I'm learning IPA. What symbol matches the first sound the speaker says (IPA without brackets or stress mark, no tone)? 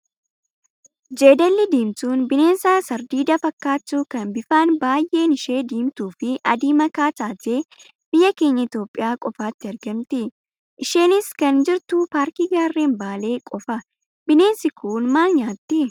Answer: d͡ʒ